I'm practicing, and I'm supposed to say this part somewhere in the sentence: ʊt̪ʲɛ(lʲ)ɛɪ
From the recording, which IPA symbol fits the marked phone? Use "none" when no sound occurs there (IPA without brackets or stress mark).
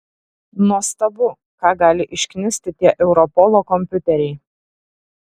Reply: ɾʲ